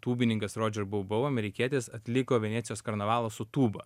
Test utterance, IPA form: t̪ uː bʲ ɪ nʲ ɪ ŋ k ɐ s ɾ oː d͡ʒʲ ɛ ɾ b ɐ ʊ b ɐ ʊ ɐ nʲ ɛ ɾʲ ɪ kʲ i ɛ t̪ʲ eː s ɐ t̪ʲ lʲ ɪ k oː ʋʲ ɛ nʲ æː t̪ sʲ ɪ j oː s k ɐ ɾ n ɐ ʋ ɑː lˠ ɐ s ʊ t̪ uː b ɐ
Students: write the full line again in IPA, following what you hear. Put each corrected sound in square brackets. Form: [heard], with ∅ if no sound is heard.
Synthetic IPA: t̪ uː bʲ ɪ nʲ ɪ ŋ k ɐ s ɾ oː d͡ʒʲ ɛ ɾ b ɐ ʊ b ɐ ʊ ɐ [mʲ] ɛ ɾʲ ɪ kʲ i ɛ t̪ʲ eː s ɐ t̪ʲ lʲ ɪ k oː ʋʲ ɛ nʲ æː t̪ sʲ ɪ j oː s k ɐ ɾ n ɐ ʋ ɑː lˠ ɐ s ʊ t̪ uː b ɐ